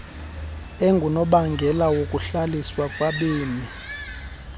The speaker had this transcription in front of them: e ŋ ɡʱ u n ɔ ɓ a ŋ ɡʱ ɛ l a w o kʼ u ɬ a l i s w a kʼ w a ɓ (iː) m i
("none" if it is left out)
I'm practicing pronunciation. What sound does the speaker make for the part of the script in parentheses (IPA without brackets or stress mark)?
iː